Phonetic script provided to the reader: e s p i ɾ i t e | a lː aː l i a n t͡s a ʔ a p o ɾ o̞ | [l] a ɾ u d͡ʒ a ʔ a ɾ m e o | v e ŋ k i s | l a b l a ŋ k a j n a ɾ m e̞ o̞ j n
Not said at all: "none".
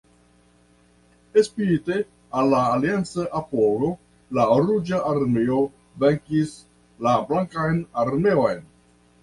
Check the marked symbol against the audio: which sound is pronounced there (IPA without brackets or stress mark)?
l